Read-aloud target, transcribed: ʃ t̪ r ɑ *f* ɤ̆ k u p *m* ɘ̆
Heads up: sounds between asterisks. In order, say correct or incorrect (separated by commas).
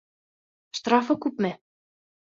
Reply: correct, correct